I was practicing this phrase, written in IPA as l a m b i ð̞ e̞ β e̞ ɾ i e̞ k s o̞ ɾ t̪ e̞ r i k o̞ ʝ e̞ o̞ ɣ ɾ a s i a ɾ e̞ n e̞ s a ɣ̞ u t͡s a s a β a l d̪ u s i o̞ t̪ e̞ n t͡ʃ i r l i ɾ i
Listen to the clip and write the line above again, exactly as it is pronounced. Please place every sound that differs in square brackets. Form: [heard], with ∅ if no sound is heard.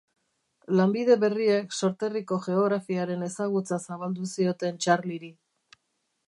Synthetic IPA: l a m b i ð̞ e̞ β e̞ [r] i e̞ k s o̞ ɾ t̪ e̞ r i k o̞ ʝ e̞ o̞ ɣ ɾ a [f] i a ɾ e̞ n e̞ s a ɣ̞ u t͡s a s a β a l d̪ u s i o̞ t̪ e̞ n t͡ʃ [a] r l i ɾ i